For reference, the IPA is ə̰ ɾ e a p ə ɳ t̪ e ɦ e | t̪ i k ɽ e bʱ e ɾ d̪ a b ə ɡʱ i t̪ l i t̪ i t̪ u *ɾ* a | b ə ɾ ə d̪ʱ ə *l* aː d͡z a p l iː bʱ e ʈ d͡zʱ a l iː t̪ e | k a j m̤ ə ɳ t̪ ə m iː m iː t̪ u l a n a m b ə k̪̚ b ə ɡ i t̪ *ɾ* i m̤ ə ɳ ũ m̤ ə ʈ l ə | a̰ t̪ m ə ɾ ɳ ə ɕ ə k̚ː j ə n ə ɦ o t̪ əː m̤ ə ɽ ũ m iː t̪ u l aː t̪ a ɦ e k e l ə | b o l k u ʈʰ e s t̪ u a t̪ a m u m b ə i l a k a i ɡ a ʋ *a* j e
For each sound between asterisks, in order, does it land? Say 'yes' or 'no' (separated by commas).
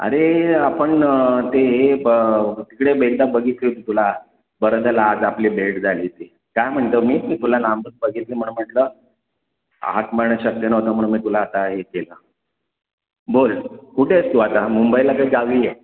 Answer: no, yes, no, no